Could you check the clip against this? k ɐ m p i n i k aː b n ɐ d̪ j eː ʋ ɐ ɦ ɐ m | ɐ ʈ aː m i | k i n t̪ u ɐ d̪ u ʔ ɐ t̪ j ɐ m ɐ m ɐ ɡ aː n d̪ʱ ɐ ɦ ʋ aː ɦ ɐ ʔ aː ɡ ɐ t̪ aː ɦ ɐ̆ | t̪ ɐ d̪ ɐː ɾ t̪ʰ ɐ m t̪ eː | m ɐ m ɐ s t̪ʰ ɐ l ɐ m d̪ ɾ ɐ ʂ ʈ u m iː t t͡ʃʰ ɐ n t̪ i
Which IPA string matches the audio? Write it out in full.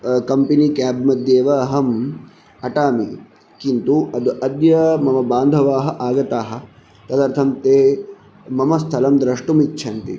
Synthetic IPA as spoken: k ɐ m p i n i k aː b m ɐ d̪ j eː ʋ ɐ ɦ ɐ m | ɐ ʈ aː m i | k i n t̪ u ɐ d̪ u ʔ ɐ d̪ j ɐ m ɐ m ɐ b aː n d̪ʱ ɐ ʋ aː ɦ ɐ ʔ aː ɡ ɐ t̪ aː ɦ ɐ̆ | t̪ ɐ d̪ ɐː ɾ t̪ʰ ɐ m t̪ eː | m ɐ m ɐ s t̪ʰ ɐ l ɐ m d̪ ɾ ɐ ʂ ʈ u m i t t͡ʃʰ ɐ n t̪ i